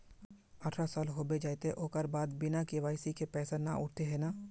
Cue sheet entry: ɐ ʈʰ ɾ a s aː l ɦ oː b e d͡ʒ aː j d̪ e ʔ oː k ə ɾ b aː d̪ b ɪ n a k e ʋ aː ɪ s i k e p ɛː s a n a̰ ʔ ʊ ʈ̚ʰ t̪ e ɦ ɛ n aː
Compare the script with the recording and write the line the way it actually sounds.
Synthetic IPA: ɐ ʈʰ ɾ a s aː l ɦ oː b e d͡ʒ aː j t̪ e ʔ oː k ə ɾ b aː d̪ b ɪ n a k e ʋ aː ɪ s i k e p ɛː s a n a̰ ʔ ʊ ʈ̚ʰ t̪ e ɦ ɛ n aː